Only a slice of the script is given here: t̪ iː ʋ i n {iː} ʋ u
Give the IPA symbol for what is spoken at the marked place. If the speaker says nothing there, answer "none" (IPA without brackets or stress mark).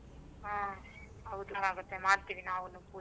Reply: aː